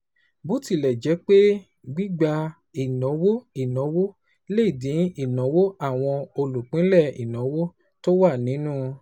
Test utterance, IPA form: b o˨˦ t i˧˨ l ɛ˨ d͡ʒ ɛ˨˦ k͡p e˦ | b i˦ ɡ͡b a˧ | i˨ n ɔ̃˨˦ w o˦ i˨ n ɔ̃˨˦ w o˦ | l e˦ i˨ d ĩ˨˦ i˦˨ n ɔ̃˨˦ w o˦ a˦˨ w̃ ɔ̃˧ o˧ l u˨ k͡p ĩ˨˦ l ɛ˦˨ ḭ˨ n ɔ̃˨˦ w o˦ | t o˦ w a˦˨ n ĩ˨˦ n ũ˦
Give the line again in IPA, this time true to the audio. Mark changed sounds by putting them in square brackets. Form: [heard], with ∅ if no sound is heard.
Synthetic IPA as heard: b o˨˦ t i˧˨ l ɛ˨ d͡ʒ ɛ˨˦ k͡p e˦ | [ɡ͡b] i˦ ɡ͡b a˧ | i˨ n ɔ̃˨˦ w o˦ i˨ n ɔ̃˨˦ w o˦ | l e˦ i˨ d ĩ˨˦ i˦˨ n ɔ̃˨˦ w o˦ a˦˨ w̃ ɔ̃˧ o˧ l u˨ k͡p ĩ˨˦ l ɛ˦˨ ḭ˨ n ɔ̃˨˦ w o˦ | t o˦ w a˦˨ n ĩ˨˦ n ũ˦